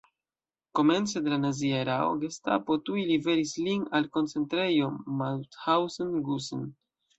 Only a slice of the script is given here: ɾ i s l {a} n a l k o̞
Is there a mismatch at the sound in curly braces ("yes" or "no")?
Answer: yes